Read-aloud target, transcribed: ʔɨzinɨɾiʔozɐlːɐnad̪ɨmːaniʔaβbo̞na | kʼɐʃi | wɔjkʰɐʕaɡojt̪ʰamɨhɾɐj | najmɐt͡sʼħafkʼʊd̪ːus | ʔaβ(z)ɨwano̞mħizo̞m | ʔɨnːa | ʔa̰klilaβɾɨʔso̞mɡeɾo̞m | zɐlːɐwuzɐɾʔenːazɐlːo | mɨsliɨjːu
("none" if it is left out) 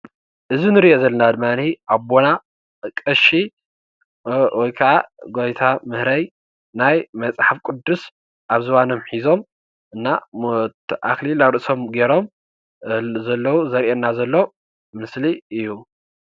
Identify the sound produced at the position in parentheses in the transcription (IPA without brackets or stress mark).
z